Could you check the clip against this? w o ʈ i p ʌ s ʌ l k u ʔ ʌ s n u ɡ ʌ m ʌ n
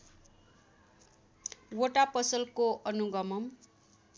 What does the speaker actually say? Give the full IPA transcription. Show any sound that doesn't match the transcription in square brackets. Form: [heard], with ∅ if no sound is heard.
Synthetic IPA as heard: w o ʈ [a] p ʌ s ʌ l k [o] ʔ ʌ [∅] n u ɡ ʌ m ʌ [m]